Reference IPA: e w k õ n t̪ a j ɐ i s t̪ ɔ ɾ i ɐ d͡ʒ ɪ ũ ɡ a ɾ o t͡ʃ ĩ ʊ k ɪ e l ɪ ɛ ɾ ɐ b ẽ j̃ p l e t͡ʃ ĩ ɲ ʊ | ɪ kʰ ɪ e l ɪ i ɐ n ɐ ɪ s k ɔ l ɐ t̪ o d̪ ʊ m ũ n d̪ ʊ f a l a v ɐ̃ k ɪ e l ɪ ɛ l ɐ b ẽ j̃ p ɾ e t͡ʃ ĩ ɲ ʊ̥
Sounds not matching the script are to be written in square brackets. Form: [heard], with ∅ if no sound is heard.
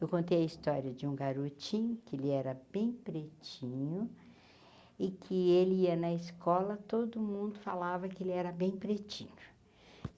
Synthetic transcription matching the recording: e w k õ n t̪ [e] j ɐ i s t̪ ɔ ɾ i ɐ d͡ʒ ɪ ũ ɡ a ɾ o t͡ʃ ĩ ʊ k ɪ e l ɪ ɛ ɾ ɐ b ẽ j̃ p [ɾ] e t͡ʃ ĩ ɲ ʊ | ɪ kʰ ɪ e l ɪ i ɐ n ɐ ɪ s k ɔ l ɐ t̪ o d̪ ʊ m ũ n d̪ ʊ f a l a v [ɐ] k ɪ e l ɪ ɛ [ɾ] ɐ b ẽ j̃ p ɾ e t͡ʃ ĩ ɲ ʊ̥